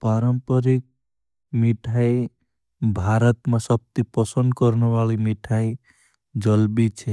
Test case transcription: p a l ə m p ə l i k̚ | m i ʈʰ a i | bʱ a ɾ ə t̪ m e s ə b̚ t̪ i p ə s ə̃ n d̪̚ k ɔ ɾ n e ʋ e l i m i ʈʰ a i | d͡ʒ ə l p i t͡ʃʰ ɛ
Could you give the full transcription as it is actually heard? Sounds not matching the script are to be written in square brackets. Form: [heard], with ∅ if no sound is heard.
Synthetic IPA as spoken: p a [ɾ] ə m p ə [ɾ] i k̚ | m i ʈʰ a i | bʱ a ɾ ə t̪ m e s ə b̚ t̪ i p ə s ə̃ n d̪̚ k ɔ ɾ n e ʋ [a] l i m i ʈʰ a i | d͡ʒ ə l [b] i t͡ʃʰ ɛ